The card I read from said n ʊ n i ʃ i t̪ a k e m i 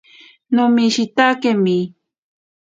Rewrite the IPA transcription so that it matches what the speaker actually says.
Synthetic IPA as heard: n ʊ m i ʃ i t̪ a k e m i